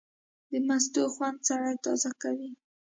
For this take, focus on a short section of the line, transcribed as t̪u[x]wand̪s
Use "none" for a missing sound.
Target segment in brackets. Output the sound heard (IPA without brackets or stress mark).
x